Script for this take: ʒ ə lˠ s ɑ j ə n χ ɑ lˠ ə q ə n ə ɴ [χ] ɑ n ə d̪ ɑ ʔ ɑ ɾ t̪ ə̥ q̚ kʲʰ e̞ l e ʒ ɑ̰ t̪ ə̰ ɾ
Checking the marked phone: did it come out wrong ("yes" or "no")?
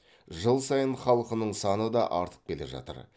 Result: yes